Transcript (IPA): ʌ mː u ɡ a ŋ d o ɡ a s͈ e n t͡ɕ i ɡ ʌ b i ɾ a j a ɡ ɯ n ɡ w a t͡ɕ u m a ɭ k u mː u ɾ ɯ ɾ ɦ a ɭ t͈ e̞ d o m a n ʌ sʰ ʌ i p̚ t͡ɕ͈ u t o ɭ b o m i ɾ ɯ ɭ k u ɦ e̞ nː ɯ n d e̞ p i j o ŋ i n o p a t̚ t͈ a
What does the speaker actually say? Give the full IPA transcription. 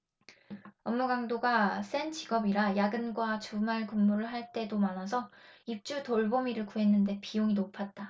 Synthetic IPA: ʌ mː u ɡ a ŋ d o ɡ a s͈ e n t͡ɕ i ɡ ʌ b i ɾ a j a ɡ ɯ n ɡ w a t͡ɕ u m a ɭ k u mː u ɾ ɯ ɭ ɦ a ɭ t͈ e̞ d o m a n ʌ sʰ ʌ i p̚ t͡ɕ͈ u t o ɭ b o m i ɾ ɯ ɭ k u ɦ e̞ nː ɯ n d e̞ p i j o ŋ i n o pʰ a t̚ t͈ a